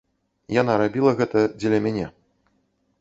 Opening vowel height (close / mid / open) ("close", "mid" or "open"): open